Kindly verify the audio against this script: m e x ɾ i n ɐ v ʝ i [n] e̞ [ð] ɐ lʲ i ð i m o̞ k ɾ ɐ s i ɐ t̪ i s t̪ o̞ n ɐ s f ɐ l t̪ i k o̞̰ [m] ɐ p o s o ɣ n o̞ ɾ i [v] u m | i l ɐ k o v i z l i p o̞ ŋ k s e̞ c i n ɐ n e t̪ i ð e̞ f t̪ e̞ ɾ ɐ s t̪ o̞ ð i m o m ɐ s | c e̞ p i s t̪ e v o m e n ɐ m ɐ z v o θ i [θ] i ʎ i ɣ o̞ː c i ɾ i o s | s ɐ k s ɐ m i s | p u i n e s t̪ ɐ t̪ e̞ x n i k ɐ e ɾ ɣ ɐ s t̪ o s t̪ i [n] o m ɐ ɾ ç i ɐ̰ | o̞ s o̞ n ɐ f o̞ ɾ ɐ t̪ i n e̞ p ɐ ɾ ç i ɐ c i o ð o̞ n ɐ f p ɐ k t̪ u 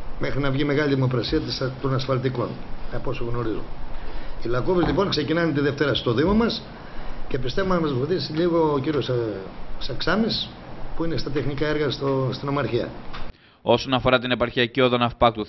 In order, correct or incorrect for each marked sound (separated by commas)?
incorrect, incorrect, incorrect, incorrect, incorrect, correct